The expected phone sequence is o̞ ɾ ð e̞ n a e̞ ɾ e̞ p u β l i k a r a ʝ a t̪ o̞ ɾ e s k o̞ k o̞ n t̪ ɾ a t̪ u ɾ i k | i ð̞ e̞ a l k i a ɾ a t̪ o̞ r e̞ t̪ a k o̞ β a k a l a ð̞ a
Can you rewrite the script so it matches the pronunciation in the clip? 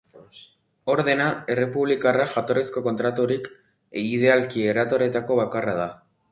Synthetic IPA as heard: o̞ ɾ ð e̞ n a e̞ r e̞ p u β l i k a r a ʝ a t̪ o̞ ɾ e s k o̞ k o̞ n t̪ ɾ a t̪ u ɾ i k | i ð̞ e̞ a l k i e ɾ a t̪ o̞ ɾ e̞ t̪ a k o̞ β a k a r a ð̞ a